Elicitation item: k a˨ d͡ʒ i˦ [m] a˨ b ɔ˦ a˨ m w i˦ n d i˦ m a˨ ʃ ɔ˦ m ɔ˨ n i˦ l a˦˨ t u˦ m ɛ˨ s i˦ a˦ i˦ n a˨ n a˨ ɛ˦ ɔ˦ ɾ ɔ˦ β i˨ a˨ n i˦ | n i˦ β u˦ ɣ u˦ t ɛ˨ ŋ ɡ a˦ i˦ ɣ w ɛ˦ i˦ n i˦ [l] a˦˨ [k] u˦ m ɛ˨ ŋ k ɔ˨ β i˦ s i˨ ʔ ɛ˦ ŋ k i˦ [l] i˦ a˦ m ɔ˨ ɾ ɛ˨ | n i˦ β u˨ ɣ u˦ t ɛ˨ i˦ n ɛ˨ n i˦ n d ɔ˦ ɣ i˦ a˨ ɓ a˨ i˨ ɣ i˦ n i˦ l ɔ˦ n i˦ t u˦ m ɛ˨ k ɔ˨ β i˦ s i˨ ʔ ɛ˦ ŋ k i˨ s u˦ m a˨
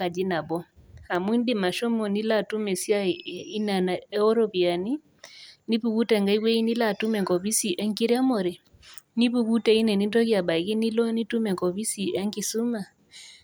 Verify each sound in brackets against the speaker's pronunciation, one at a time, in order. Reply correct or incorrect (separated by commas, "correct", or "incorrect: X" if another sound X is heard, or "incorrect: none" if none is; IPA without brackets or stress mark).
incorrect: n, correct, incorrect: t, incorrect: ɾ